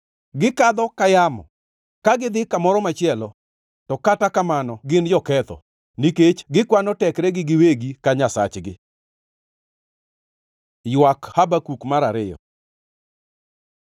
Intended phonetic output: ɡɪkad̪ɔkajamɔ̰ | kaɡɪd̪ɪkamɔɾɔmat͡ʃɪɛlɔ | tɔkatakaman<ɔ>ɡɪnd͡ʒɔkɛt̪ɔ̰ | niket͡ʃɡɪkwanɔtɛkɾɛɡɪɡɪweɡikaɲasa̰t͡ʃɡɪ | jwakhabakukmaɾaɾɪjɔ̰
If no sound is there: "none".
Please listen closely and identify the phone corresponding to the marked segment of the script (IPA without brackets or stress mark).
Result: ɔ